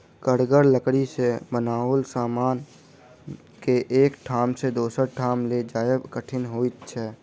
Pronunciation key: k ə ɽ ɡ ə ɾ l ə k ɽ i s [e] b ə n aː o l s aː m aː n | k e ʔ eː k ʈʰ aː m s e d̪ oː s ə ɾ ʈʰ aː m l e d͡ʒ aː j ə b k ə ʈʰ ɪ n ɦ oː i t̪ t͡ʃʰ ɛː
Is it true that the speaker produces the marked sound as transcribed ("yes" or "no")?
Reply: yes